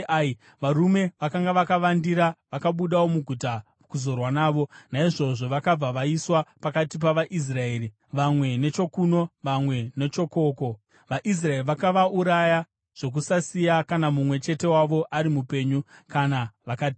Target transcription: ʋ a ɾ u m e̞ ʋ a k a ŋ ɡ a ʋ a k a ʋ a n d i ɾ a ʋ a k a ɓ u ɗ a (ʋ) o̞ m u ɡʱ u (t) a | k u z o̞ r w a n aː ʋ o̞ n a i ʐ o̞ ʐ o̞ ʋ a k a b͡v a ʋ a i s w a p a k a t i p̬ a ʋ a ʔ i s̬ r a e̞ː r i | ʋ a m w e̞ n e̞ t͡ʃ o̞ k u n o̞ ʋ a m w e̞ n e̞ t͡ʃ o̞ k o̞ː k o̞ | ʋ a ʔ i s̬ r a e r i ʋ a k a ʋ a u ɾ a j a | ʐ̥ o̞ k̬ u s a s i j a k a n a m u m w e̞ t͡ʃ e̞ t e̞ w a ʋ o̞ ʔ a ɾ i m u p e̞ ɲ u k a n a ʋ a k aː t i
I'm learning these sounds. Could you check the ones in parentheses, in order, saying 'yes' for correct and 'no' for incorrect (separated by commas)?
no, yes